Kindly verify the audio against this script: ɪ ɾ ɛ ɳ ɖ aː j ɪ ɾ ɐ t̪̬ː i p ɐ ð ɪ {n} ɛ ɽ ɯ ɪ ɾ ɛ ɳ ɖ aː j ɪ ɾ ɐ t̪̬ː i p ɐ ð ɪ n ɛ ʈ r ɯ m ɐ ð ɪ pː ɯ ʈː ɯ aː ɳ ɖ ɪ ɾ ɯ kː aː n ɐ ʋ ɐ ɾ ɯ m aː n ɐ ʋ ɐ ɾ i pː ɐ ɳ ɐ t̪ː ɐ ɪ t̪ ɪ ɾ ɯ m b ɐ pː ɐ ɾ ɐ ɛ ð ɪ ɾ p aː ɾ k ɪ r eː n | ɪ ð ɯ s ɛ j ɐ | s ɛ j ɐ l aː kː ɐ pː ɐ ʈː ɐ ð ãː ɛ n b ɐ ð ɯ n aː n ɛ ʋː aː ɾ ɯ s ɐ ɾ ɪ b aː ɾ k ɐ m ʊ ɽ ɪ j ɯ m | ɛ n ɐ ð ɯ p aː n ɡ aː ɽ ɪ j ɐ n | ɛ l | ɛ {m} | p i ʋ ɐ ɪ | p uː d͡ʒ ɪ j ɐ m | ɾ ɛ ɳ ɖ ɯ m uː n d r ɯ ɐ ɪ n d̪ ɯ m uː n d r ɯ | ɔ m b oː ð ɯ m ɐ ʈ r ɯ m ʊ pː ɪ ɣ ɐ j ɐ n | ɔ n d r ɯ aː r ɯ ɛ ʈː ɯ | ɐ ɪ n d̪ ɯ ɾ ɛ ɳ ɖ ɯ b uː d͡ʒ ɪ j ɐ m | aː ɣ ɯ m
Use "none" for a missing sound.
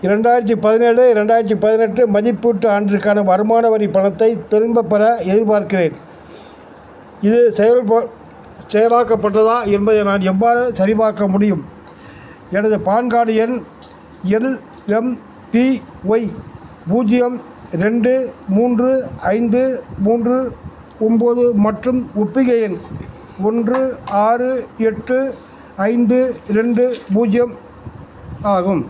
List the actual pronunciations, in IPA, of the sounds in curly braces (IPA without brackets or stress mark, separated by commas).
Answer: n, m